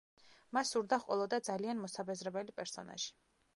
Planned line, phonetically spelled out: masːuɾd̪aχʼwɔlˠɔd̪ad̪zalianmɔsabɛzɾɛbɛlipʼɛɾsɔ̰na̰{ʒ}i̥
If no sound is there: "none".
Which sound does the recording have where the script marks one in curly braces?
ʒ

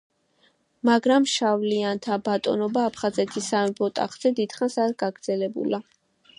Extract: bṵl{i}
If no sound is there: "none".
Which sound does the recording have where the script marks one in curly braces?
a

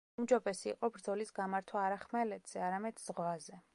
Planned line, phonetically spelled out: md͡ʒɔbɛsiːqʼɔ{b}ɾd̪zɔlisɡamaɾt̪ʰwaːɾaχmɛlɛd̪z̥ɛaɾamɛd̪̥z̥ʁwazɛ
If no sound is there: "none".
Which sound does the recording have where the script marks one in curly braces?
b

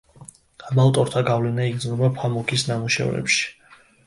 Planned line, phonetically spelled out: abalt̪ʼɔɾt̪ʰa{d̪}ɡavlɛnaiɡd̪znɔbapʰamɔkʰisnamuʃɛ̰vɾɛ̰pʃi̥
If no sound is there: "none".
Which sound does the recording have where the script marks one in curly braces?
none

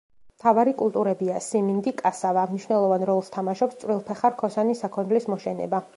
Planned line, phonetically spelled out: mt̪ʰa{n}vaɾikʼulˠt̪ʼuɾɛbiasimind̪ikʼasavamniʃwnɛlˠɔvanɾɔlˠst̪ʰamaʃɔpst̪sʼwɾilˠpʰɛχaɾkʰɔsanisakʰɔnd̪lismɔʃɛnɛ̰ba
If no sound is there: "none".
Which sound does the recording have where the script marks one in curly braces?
none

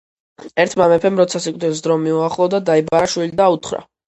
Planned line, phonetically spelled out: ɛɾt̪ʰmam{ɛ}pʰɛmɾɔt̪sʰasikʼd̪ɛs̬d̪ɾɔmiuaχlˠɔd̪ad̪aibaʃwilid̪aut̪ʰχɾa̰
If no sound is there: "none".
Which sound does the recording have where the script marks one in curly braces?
ɛ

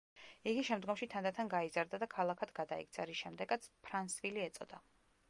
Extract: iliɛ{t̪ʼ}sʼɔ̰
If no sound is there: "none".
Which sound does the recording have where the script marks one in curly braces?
t̪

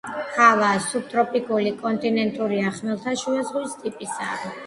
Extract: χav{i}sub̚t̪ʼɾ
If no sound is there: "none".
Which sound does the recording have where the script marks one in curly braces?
a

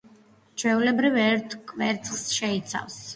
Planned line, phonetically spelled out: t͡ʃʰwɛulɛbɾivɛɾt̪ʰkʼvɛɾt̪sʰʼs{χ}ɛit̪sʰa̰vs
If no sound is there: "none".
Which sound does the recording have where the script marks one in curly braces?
ʃ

